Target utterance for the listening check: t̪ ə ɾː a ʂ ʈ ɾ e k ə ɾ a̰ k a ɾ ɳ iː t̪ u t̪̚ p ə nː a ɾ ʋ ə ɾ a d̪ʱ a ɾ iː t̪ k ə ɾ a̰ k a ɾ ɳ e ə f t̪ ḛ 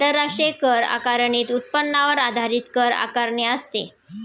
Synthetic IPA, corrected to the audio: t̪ ə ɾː a ʂ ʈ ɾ e k ə ɾ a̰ k a ɾ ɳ iː t̪ u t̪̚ p ə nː a ʋ ə ɾ a d̪ʱ a ɾ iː t̪ k ə ɾ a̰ k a ɾ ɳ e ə s t̪ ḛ